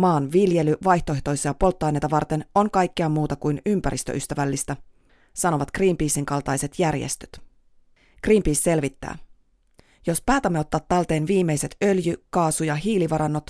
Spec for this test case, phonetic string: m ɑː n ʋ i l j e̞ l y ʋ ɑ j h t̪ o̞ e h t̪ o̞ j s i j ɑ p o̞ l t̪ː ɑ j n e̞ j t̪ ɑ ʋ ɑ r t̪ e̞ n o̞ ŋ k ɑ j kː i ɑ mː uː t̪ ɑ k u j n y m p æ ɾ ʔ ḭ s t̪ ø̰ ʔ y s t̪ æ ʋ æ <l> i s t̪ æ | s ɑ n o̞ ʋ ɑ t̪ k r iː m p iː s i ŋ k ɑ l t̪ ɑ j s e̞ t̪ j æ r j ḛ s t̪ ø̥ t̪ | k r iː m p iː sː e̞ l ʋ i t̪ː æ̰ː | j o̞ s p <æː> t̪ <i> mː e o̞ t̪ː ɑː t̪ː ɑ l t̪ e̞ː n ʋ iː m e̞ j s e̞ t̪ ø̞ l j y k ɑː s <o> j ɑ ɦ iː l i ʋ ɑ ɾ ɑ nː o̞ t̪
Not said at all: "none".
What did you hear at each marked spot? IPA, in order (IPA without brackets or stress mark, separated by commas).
lː, æː, æ, u